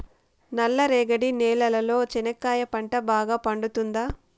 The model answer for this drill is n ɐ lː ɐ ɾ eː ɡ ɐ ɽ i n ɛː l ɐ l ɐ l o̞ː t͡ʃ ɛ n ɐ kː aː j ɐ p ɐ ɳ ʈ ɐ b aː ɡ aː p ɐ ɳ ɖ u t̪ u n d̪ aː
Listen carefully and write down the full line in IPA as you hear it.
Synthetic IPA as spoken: n ɐ lː ɐ ɾ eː ɡ ɐ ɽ i n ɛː l ɐ l ɐ l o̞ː t͡ʃ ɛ n ɐ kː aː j ɐ p ɐ ɳ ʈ ɐ b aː ɡ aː p ɐ ɳ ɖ u t̪ u n d̪ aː